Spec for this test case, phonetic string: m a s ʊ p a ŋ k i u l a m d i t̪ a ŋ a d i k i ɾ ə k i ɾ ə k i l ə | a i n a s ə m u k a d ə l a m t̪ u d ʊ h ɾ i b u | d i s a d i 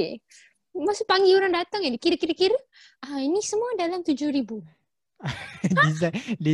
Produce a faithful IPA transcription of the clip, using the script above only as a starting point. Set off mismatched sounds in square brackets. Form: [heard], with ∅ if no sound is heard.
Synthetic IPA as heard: m a s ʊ p a ŋ [ɡ] i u [ɾ] a [ŋ] d [a] t̪ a ŋ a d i k i ɾ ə k i ɾ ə k i [ɾ] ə | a i n [i] s ə m u [∅] a d [a] l a m t̪ u [d͡ʒ] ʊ h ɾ i b u | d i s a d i